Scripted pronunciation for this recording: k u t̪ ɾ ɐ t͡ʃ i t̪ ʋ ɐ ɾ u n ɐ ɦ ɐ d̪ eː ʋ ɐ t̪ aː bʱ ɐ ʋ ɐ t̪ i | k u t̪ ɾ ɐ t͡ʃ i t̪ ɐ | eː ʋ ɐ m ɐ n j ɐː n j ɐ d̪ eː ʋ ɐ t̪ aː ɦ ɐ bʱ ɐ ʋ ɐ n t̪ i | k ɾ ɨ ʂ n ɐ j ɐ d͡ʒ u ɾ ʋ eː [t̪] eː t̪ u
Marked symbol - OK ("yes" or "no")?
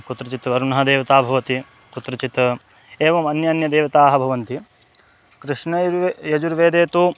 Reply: no